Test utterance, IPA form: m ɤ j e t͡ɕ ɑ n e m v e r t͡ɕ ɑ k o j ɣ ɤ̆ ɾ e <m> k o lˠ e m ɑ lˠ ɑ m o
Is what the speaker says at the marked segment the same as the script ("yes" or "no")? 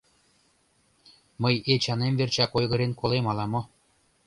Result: no